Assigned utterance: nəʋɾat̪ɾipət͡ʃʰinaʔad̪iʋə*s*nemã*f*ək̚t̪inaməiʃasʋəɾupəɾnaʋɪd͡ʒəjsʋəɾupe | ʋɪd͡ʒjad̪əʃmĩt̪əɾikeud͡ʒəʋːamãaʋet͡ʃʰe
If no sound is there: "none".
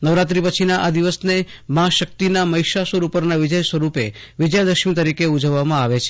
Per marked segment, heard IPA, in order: s, ʃ

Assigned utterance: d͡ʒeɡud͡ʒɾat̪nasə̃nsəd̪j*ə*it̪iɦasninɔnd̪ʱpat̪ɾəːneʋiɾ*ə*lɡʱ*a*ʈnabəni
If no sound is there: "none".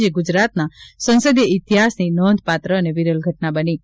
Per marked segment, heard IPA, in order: ə, ə, ə

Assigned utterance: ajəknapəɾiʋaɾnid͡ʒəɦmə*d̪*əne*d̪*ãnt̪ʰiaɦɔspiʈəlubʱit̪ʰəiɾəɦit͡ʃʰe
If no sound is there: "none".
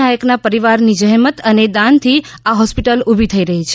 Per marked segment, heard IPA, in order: t̪, d̪

